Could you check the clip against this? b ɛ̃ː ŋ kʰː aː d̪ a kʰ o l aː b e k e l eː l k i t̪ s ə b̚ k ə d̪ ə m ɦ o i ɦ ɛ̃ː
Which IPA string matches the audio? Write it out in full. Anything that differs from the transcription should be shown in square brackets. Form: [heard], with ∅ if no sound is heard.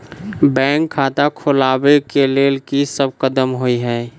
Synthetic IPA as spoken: b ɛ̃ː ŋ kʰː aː [t̪] a kʰ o l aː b e k e l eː l k i [∅] s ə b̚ k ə d̪ ə m ɦ o i ɦ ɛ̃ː